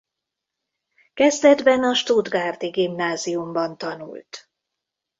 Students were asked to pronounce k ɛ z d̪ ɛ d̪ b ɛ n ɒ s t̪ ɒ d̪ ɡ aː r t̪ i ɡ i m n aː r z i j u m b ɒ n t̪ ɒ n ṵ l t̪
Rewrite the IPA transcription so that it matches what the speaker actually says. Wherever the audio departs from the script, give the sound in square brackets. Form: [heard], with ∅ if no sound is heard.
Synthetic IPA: k ɛ z d̪ ɛ d̪ b ɛ n ɒ [ʃ] t̪ [u] d̪ ɡ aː r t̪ i ɡ i m n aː [∅] z i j u m b ɒ n t̪ ɒ n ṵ l t̪